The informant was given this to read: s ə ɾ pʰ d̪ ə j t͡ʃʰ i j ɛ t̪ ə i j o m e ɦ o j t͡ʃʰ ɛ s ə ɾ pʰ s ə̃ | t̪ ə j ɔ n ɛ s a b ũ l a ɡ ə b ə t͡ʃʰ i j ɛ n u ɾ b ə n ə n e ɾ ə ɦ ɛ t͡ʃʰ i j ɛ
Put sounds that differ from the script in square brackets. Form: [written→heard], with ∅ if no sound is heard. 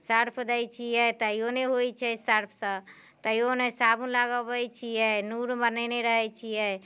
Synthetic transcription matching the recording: s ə ɾ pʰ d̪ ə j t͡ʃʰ i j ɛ t̪ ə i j o [m→n] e ɦ o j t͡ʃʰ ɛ s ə ɾ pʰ s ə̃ | t̪ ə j [ɔ→o] n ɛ s a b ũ l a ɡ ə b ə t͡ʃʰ i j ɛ n u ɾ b ə n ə n e ɾ ə ɦ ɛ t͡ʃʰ i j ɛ